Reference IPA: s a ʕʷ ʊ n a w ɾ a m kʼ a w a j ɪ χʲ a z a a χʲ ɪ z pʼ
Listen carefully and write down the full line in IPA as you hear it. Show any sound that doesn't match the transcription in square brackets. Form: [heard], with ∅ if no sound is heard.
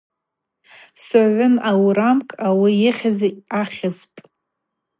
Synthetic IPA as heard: s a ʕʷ ʊ n a w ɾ a m kʼ a w [i] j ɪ χʲ a z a a χʲ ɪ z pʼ